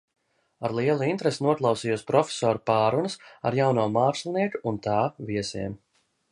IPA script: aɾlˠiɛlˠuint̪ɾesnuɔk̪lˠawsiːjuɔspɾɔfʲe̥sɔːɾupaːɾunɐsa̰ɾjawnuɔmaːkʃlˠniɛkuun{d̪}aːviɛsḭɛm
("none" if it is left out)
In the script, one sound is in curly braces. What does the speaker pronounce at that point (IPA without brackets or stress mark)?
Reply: t̪